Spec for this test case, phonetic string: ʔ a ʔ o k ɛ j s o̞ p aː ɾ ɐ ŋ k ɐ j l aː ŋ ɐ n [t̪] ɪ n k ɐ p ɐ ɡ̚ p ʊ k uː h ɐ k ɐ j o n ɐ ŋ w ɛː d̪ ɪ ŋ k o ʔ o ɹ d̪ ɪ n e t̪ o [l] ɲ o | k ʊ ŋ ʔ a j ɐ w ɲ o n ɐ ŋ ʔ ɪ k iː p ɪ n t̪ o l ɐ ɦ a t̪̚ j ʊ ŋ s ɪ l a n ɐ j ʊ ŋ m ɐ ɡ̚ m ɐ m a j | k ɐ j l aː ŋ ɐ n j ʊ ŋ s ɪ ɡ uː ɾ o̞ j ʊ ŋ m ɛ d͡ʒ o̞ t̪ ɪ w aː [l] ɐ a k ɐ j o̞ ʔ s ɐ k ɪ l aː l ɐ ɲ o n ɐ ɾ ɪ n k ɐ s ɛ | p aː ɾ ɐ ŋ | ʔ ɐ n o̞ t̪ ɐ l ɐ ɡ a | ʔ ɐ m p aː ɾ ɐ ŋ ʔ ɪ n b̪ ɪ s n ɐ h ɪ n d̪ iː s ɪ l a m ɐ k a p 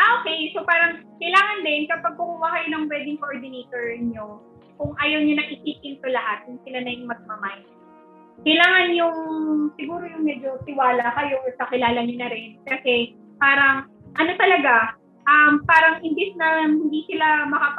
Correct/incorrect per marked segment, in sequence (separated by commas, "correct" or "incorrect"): incorrect, incorrect, correct